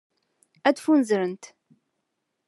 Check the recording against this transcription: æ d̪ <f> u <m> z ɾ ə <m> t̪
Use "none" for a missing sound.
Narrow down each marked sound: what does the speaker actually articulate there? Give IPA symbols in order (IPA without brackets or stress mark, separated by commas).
f, n, n